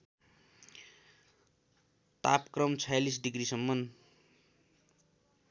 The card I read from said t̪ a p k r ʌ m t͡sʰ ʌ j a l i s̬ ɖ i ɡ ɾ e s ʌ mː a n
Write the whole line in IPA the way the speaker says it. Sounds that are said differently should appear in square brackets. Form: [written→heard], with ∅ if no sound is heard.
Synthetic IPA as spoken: t̪ a p k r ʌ m t͡sʰ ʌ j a l i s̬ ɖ i ɡ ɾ [e→i] s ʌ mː [a→ʌ] n